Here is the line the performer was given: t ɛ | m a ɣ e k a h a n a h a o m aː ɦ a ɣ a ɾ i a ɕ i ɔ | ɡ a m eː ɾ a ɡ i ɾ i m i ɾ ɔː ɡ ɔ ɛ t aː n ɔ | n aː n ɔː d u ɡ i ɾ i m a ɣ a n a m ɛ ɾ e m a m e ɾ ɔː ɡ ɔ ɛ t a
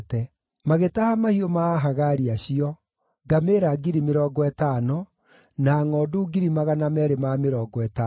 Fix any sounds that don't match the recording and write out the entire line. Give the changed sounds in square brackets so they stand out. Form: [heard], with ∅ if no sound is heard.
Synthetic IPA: t ɛ | m a ɣ e [t] a h a [m] a h [i] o m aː ɦ a ɣ a ɾ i a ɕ i ɔ | ɡ a m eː ɾ a ɡ i ɾ i m [e] ɾ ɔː ɡ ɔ ɛ t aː n ɔ | n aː [ŋ] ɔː d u ɡ i ɾ i m a ɣ a n a m ɛ ɾ e m a m e ɾ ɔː ɡ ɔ ɛ t a